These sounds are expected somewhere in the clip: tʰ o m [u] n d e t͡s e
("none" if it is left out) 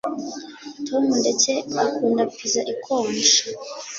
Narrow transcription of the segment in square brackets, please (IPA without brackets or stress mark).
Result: u